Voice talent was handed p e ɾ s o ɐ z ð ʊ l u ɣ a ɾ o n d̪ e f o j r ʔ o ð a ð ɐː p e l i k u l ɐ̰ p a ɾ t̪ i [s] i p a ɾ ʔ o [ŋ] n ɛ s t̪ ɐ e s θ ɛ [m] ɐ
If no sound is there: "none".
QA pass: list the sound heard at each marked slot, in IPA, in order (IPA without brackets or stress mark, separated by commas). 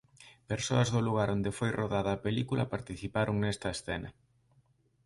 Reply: θ, ŋ, n